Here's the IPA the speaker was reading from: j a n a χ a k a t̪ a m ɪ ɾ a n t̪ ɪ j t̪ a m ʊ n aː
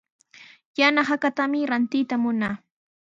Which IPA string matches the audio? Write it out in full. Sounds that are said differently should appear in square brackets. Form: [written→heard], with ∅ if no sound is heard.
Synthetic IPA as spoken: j a n a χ a k a t̪ a m ɪ ɾ a n t̪ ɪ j t̪ a m ʊ n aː